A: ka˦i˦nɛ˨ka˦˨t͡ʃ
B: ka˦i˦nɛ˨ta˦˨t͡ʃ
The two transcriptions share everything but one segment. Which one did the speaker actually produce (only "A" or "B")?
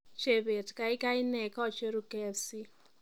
A